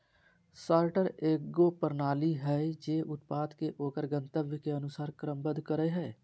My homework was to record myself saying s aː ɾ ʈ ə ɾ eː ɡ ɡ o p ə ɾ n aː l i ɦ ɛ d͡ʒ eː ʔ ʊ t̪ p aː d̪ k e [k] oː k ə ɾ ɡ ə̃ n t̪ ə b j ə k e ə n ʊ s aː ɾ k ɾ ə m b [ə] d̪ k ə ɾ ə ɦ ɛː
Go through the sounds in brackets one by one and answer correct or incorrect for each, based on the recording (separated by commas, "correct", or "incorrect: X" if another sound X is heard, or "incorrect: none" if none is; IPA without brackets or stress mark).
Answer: incorrect: ʔ, correct